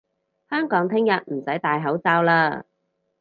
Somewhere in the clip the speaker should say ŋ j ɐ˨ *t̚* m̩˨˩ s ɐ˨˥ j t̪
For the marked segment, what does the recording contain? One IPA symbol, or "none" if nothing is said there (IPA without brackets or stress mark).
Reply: t̚